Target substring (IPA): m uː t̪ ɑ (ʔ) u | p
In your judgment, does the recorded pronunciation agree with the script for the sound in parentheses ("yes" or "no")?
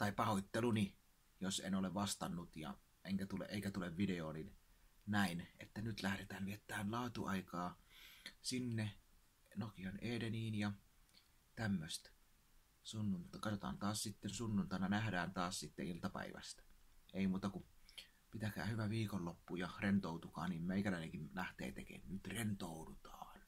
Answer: no